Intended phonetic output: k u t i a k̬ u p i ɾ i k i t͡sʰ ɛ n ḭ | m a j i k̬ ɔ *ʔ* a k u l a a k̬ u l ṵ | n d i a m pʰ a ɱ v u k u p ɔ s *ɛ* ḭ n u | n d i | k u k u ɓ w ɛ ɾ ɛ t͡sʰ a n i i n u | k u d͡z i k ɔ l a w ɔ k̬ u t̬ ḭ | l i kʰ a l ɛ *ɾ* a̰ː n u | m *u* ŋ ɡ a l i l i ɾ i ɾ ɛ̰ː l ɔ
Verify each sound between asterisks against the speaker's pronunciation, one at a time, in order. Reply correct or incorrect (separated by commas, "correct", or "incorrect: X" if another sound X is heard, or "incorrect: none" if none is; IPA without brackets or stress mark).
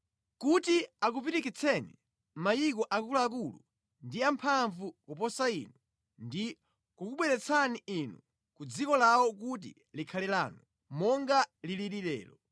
correct, incorrect: a, incorrect: l, incorrect: ɔ